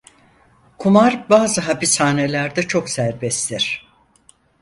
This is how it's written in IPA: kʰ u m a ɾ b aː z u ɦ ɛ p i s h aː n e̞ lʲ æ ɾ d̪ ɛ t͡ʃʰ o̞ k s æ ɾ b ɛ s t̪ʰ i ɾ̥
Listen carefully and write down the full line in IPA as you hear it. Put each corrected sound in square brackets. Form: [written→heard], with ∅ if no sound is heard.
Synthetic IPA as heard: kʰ u m a ɾ b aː z [u→ɯ] ɦ [ɛ→a] p i s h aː n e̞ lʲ æ ɾ d̪ ɛ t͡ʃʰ o̞ k s æ ɾ b ɛ s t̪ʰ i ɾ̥